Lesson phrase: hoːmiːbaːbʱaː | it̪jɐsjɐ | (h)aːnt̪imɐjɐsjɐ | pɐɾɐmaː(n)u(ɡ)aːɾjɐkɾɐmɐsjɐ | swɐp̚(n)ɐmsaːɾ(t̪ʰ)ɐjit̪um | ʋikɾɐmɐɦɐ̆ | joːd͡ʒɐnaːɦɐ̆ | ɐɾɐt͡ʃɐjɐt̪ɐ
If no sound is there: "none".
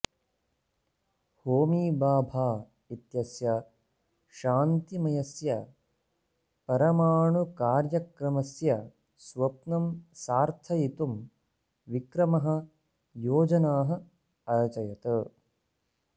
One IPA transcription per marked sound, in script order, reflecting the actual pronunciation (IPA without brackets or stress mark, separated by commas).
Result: ʃ, ɳ, k, n, t̪ʰ